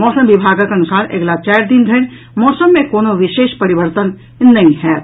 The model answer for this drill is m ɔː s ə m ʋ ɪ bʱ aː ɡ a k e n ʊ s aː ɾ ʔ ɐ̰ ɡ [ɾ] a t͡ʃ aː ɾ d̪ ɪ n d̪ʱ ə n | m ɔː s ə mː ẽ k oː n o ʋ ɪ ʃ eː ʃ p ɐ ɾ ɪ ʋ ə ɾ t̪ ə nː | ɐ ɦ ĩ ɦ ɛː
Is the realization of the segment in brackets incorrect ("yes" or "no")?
yes